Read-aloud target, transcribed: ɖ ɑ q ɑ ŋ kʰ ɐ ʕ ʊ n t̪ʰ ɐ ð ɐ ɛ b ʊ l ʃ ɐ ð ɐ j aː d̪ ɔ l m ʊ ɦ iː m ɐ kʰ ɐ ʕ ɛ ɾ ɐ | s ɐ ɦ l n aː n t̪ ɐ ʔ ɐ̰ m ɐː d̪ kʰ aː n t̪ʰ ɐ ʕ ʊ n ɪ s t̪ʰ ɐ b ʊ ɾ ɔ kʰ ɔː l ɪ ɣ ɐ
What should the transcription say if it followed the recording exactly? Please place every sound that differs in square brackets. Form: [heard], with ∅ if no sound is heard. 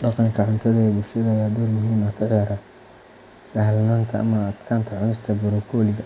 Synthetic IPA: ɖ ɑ q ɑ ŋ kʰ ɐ ʕ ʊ n t̪ʰ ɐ ð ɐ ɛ b ʊ l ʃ ɐ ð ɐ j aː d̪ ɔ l m ʊ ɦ iː m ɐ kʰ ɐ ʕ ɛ ɾ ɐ | s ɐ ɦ l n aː n [t̪ʰ] ɐ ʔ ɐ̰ m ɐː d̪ kʰ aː n t̪ʰ ɐ ʕ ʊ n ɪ s t̪ʰ ɐ b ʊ ɾ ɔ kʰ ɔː l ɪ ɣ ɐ